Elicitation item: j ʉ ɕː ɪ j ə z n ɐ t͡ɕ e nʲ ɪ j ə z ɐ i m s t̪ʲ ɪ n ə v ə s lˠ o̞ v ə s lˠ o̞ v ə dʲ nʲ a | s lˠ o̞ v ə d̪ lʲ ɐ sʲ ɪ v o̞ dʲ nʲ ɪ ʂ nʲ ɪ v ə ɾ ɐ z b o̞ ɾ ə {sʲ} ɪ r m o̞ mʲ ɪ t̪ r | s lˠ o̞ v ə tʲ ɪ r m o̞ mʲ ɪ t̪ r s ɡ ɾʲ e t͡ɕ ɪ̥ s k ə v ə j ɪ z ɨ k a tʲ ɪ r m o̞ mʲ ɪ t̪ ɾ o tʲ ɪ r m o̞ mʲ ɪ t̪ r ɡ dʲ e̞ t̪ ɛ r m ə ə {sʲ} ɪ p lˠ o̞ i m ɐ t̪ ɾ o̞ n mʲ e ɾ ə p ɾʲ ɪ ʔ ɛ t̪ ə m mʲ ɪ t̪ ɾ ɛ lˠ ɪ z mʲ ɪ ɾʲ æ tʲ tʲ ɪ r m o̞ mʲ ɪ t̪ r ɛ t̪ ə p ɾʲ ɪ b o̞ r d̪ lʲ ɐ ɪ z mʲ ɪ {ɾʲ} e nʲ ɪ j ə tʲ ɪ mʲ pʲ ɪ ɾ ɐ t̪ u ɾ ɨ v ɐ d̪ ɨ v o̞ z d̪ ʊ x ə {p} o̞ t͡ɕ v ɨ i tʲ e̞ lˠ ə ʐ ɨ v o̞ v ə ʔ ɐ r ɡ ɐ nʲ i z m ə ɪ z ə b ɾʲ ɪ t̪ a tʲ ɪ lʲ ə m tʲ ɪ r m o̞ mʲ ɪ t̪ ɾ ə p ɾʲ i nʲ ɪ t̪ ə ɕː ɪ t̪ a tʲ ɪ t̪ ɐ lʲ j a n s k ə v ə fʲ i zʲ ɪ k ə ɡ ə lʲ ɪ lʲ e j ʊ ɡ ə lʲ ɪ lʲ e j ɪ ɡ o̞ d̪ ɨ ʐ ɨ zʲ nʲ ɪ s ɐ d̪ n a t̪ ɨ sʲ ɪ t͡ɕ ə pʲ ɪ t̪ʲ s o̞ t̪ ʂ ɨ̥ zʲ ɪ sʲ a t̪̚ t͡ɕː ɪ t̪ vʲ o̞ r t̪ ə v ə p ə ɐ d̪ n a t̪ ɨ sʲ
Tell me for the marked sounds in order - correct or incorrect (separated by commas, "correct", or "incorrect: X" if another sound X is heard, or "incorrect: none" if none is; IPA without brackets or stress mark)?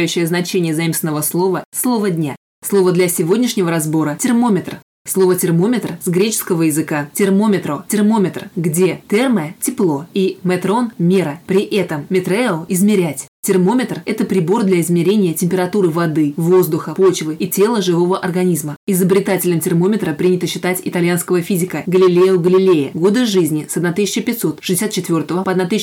incorrect: tʲ, incorrect: tʲ, correct, correct